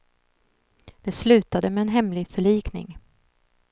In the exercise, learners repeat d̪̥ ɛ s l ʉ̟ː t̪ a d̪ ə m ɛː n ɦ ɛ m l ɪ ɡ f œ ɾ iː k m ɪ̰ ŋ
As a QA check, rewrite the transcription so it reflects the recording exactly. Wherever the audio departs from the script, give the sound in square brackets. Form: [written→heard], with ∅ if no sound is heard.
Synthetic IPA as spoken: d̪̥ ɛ s l ʉ̟ː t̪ a d̪ ə m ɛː n ɦ ɛ m l ɪ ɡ f œ [ɾ→ɭ] iː k [m→n] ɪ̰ ŋ

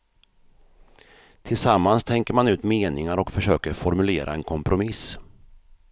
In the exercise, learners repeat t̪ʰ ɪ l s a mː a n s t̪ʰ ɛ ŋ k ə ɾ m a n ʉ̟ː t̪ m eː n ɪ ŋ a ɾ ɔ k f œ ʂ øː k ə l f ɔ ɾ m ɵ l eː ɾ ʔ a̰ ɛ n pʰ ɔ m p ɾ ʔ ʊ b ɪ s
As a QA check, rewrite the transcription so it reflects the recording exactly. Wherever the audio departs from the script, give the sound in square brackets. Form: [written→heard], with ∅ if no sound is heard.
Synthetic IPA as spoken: t̪ʰ ɪ l s a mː a n s t̪ʰ ɛ ŋ k ə ɾ m a n ʉ̟ː t̪ m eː n ɪ ŋ a ɾ ɔ k f œ ʂ øː k ə [l→ɾ] f ɔ ɾ m ɵ l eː ɾ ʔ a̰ ɛ n [pʰ→kʰ] ɔ m p ɾ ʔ ʊ [b→m] ɪ s

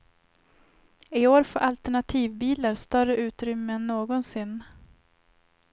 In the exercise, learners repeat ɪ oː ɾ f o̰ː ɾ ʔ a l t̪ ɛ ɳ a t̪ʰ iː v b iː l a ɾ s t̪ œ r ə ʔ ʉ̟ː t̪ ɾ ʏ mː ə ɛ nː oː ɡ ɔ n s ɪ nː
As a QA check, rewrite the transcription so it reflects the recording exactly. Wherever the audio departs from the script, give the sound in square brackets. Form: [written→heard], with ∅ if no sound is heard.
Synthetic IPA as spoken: ɪ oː ɾ f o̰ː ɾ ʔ a l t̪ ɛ ɳ a t̪ʰ iː v b iː l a ɾ s t̪ œ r ə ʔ ʉ̟ː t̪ ɾ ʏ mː ə ɛ nː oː ɡ ɔ n s ɪ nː

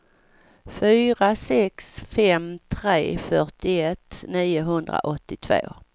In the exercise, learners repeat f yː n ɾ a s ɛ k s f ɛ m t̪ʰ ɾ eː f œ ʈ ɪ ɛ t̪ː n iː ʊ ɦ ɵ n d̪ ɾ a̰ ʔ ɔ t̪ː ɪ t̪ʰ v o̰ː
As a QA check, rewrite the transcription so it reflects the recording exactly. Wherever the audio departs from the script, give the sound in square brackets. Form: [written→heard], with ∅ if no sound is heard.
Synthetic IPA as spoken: f yː [n→∅] ɾ a s ɛ k s f ɛ m t̪ʰ ɾ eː f œ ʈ ɪ ɛ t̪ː n iː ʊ ɦ ɵ n d̪ ɾ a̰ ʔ ɔ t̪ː ɪ t̪ʰ v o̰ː

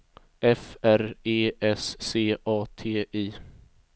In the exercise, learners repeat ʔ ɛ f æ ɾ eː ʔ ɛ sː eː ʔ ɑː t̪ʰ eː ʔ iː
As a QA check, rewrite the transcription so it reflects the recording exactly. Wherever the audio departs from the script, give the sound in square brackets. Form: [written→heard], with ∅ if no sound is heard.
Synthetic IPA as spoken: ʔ ɛ f æ ɾ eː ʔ ɛ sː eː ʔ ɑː t̪ʰ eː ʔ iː

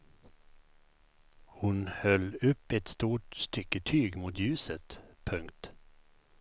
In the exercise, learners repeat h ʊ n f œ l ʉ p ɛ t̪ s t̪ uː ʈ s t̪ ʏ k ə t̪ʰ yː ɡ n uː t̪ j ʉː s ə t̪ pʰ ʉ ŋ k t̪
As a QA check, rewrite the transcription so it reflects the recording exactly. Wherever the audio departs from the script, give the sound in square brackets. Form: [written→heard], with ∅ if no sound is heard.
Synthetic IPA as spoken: h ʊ n [f→h] œ l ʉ p ɛ t̪ s t̪ uː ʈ s t̪ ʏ k ə t̪ʰ yː ɡ [n→m] uː t̪ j ʉː s ə t̪ pʰ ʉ ŋ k t̪

